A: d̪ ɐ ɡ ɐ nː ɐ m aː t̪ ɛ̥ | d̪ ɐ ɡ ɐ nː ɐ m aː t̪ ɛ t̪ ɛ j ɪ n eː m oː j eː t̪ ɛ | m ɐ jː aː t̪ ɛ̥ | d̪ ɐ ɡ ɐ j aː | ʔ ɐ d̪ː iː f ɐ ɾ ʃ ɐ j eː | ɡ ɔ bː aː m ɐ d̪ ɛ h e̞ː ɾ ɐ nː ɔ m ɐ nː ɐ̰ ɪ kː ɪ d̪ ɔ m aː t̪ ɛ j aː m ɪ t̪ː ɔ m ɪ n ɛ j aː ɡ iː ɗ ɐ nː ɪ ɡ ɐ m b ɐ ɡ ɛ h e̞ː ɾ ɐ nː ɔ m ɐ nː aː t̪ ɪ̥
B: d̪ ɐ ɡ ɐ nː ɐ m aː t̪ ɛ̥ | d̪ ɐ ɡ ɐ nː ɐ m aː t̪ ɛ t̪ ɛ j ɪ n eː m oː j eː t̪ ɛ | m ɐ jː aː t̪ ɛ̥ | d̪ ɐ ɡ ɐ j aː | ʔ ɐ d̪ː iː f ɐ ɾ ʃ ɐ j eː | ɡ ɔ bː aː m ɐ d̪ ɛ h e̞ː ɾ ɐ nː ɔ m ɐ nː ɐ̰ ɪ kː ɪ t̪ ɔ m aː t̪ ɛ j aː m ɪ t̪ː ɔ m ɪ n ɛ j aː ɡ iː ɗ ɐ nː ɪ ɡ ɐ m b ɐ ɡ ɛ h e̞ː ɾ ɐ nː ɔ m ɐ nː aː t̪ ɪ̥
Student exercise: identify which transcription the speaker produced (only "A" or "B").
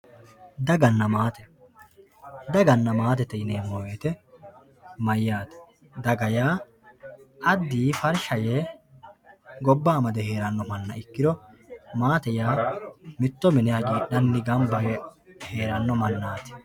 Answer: A